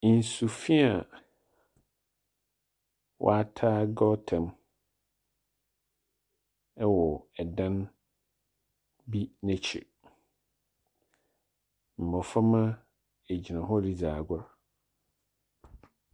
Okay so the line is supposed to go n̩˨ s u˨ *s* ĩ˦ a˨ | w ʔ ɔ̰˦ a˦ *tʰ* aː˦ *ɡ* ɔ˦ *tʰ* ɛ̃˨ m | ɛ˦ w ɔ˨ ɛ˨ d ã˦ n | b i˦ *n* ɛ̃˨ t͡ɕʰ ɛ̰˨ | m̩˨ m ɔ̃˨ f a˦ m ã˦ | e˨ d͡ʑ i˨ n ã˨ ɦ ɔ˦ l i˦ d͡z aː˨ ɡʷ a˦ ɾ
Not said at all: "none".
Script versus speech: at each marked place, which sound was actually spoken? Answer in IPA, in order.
f, tʰ, ɡ, tʰ, n

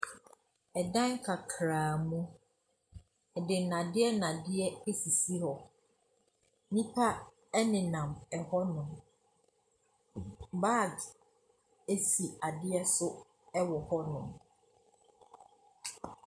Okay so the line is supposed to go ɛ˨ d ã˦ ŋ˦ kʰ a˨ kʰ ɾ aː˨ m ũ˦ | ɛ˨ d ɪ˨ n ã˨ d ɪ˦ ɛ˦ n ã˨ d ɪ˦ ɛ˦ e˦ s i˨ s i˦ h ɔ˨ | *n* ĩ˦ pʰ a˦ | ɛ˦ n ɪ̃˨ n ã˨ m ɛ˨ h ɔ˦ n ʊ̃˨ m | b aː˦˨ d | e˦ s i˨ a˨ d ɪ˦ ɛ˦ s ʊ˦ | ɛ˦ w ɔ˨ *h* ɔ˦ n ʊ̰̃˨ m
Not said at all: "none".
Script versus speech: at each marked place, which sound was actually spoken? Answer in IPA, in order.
n, h

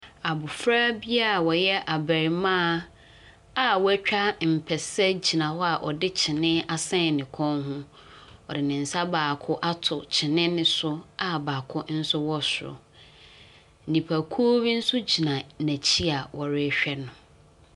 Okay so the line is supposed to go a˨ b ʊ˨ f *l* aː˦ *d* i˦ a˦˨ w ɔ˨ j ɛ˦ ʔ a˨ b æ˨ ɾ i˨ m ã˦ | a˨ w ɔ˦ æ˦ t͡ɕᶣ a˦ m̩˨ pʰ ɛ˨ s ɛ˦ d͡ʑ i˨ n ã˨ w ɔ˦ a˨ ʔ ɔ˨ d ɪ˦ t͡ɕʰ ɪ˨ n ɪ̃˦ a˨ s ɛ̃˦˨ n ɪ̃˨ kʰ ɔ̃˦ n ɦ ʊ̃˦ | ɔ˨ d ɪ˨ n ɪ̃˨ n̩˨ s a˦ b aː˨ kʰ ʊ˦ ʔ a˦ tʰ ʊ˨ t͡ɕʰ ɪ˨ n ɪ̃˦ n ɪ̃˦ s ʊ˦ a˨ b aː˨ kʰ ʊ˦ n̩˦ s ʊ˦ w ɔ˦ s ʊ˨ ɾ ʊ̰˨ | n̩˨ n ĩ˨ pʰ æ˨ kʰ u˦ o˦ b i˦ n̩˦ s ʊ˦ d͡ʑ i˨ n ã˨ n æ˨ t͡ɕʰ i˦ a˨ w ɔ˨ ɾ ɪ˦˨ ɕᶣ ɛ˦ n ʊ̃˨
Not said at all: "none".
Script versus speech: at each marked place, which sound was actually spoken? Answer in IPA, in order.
ɾ, b

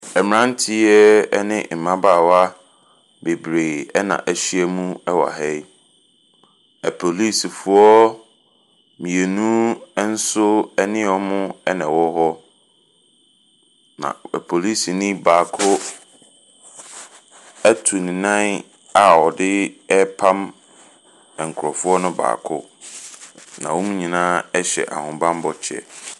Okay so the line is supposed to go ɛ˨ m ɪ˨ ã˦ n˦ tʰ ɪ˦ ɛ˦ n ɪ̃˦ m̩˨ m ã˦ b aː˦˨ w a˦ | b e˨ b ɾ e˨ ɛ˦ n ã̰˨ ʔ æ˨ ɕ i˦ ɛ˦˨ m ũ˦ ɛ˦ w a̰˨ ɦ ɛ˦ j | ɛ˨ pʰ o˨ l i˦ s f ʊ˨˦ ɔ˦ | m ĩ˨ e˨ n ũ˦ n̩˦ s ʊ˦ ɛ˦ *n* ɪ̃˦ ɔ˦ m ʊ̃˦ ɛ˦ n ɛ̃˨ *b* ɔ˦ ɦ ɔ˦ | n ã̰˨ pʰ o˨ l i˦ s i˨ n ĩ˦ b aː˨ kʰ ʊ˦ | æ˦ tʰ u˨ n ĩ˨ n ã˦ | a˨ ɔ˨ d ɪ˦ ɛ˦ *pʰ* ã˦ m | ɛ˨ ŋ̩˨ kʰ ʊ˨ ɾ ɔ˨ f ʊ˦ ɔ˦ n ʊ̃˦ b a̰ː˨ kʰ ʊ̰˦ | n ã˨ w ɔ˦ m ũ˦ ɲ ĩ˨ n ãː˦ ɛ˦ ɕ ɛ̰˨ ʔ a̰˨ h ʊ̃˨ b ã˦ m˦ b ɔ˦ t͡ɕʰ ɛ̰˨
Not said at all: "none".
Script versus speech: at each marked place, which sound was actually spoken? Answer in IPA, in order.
n, w, pʰ

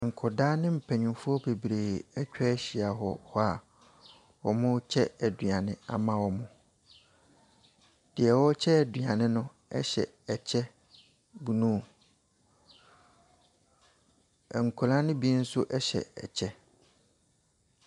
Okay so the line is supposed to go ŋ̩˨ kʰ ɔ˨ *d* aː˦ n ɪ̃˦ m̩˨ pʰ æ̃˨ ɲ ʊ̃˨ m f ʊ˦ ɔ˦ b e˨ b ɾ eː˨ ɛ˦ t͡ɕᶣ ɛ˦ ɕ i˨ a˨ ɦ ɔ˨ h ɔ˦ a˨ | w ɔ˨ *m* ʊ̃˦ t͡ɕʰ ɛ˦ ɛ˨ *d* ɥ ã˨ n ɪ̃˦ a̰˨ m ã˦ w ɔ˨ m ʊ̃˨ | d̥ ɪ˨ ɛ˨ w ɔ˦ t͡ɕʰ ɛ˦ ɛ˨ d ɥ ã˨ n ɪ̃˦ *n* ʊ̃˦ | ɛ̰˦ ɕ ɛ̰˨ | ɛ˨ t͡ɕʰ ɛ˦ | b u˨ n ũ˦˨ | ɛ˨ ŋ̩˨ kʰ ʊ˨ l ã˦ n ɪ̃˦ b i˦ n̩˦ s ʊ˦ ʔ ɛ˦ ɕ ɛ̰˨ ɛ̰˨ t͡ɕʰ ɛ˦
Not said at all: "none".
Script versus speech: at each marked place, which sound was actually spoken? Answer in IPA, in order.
d, m, d, n

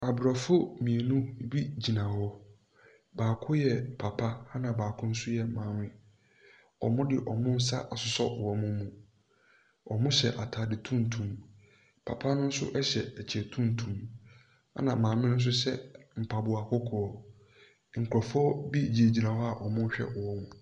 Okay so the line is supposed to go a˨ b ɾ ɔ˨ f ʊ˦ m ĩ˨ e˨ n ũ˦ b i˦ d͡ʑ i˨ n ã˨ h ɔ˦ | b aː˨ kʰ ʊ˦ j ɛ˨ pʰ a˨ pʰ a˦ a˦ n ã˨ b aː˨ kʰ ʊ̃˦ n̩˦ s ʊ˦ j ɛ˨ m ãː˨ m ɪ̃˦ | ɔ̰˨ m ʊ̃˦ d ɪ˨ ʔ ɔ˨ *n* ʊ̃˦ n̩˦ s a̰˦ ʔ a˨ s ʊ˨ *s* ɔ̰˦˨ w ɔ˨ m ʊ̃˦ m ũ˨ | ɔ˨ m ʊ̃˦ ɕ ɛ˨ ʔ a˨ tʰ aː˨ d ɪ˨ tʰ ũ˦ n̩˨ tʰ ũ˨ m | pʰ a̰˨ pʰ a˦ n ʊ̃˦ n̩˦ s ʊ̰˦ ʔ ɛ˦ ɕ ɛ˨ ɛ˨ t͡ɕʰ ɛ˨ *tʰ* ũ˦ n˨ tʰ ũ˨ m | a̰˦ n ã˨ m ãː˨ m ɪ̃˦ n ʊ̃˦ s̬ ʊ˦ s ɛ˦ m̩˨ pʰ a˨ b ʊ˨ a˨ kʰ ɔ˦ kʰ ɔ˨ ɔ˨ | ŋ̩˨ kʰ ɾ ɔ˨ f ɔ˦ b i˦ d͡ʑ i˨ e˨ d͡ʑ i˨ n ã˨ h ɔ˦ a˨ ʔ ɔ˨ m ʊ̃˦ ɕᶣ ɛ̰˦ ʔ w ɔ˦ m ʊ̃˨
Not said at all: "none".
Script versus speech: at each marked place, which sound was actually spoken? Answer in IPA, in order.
m, s, tʰ

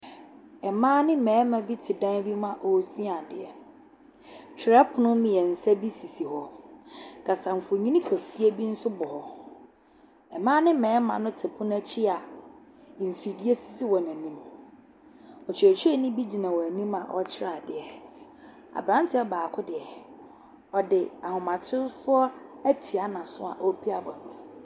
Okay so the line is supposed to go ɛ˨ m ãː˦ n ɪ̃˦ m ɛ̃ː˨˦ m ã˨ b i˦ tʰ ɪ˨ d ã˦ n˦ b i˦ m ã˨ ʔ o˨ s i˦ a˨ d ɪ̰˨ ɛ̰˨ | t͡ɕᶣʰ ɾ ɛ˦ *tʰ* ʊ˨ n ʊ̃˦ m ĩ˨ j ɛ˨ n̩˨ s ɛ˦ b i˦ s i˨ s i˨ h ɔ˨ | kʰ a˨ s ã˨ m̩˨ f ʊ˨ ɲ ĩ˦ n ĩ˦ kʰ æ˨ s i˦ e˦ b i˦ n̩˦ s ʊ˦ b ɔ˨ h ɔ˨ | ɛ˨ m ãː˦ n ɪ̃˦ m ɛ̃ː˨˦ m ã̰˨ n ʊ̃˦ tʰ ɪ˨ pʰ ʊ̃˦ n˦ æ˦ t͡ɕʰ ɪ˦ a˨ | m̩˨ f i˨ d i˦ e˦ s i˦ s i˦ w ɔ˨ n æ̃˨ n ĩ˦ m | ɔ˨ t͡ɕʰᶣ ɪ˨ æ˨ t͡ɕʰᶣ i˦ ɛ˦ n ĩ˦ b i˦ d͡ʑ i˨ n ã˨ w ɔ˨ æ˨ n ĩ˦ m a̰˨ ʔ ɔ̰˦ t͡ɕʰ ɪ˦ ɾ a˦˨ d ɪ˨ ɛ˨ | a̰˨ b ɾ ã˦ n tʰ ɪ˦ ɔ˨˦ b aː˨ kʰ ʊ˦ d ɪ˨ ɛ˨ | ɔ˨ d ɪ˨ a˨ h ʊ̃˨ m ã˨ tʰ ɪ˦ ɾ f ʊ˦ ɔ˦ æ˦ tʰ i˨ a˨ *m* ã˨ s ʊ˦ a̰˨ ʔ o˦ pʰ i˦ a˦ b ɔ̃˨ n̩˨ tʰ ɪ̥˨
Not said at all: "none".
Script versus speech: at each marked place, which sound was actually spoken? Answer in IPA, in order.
pʰ, n

